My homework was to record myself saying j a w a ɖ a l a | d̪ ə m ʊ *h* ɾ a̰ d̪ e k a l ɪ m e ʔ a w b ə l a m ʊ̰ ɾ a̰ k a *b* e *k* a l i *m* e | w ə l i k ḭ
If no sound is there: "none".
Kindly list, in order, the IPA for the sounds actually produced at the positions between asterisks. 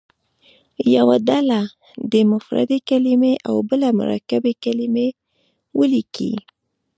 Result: f, b, k, m

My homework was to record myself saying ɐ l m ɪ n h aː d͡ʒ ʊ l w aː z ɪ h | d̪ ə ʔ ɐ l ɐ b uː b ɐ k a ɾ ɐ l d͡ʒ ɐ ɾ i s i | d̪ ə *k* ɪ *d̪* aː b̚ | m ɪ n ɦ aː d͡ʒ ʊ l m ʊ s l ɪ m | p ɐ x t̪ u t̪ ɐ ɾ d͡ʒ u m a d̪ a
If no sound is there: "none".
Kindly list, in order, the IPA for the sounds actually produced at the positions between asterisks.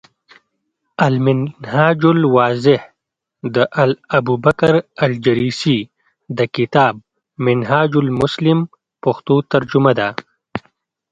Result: k, t̪

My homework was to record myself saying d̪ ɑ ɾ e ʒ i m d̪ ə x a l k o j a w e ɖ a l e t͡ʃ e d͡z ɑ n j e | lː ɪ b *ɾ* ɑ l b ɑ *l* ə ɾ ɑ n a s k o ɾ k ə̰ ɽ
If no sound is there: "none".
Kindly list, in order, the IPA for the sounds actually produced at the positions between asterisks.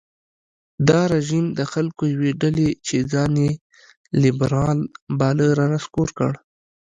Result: ɾ, l

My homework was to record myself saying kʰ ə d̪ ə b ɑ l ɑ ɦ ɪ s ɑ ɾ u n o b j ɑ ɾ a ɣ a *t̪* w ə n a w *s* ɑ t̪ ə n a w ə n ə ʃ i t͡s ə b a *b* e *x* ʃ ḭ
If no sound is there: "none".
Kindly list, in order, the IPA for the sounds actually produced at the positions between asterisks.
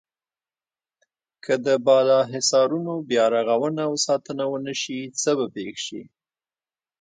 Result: none, s, p, x

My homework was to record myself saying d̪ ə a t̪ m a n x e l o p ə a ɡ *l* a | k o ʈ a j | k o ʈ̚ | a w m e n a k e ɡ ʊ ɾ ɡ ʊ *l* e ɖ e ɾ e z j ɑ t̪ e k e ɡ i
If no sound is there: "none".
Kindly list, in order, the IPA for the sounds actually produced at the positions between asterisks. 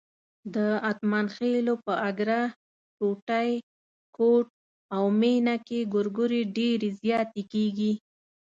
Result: ɾ, ɾ

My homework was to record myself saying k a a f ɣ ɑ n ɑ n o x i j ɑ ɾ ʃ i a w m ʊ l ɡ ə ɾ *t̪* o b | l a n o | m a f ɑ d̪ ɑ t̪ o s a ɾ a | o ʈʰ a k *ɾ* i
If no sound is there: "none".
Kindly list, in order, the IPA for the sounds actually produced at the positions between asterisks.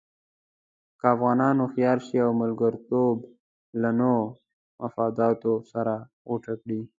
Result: t̪, ɽ

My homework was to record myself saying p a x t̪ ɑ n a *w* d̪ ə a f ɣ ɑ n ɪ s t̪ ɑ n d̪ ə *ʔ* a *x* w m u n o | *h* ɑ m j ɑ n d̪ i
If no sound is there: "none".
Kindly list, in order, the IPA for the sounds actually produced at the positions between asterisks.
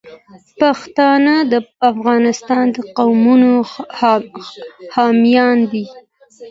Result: none, q, none, h

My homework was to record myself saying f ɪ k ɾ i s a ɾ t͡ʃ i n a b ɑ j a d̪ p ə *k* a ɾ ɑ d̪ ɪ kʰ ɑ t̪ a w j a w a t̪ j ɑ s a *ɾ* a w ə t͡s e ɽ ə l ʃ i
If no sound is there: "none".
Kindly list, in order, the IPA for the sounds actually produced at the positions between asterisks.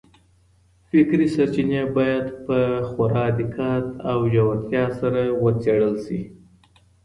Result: x, ɾ

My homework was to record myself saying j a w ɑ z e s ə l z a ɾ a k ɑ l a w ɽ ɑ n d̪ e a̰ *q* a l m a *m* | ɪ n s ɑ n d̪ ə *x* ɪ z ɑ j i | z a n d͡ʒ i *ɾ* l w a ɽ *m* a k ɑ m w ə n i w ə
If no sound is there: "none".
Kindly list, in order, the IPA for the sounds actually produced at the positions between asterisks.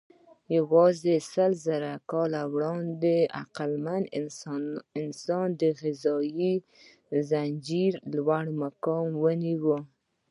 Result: q, n, ɣ, ɾ, m

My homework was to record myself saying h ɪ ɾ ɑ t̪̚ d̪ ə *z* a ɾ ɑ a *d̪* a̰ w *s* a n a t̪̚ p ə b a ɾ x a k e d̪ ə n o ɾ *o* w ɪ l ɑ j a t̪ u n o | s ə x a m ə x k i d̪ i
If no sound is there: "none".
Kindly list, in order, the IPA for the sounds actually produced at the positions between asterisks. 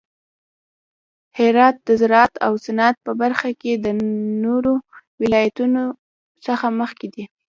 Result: z, t̪, s, o

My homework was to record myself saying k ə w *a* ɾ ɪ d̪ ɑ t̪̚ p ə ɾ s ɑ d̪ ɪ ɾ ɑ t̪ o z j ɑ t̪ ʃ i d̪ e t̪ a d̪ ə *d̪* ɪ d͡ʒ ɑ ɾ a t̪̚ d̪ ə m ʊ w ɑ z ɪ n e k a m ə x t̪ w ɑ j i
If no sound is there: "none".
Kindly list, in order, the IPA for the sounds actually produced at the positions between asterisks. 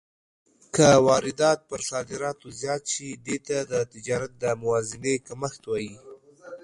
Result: ɑ, t̪

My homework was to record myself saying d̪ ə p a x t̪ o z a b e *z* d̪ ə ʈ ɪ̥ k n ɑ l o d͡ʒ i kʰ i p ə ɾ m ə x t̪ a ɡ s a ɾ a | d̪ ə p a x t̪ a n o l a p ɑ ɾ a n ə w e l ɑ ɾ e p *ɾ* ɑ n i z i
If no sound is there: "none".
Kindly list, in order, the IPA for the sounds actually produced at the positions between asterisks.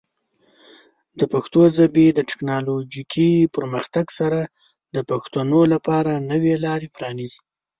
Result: none, ɾ

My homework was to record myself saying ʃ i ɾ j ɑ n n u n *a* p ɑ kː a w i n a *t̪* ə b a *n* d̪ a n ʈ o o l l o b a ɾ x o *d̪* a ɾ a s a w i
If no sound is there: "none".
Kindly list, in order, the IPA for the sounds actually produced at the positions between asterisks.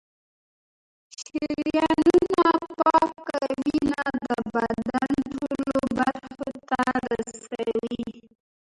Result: a, d̪, d, t̪

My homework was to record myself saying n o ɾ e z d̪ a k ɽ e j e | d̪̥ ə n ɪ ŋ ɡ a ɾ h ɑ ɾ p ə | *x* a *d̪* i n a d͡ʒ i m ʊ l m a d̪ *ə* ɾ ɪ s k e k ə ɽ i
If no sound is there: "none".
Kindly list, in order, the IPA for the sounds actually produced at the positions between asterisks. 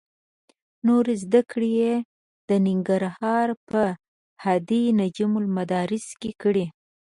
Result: h, d̪, ɑ

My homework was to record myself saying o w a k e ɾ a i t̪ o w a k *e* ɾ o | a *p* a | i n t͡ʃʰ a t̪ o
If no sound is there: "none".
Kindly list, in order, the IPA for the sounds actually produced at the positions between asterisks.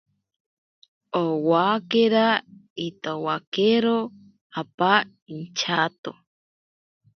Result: e, p

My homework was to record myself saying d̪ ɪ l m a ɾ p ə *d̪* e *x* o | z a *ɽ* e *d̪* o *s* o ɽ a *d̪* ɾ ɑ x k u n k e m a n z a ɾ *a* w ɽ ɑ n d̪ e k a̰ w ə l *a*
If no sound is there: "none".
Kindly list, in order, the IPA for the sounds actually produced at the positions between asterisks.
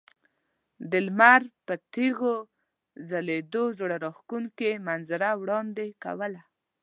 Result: t̪, ɣ, l, d̪, z, none, a, a

